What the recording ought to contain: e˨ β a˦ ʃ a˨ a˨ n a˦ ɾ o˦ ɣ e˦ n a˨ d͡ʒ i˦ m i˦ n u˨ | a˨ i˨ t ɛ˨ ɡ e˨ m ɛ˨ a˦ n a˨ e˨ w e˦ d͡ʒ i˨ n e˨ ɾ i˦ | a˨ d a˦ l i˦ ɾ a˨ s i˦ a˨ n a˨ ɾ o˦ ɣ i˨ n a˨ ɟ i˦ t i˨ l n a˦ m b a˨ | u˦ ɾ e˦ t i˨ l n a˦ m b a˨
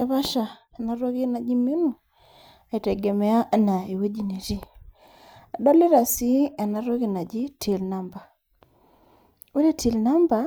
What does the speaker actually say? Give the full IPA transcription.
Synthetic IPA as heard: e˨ β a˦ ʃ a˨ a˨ n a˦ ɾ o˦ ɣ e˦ n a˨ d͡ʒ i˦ m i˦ n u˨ | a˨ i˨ t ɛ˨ ɡ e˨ m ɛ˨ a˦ n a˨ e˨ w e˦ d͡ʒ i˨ n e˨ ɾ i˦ | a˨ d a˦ l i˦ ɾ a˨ s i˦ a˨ n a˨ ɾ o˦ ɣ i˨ n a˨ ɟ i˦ t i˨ l n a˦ m b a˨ | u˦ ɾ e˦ t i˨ l n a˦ m b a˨